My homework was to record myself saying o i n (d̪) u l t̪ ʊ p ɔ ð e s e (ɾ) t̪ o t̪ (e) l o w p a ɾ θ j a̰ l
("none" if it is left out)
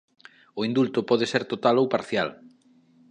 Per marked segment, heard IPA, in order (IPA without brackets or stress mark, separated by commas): d̪, ɾ, a